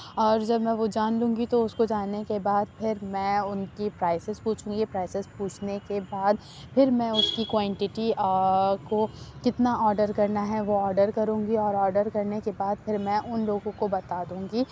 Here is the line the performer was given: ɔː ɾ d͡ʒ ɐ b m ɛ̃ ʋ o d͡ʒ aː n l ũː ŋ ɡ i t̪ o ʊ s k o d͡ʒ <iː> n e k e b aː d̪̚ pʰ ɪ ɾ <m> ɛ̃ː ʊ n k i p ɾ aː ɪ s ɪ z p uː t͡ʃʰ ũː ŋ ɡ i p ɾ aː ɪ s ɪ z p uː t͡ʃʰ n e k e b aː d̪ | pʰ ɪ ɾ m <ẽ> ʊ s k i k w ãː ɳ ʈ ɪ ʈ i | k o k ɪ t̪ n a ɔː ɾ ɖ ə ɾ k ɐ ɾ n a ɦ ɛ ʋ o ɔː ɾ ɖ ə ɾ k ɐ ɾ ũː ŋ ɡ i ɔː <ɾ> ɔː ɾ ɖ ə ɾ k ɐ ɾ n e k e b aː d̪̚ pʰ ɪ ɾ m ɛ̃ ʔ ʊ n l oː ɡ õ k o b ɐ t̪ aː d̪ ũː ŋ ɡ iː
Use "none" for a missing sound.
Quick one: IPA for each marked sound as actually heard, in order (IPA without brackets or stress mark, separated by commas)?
aː, m, ɛ̃, ɾ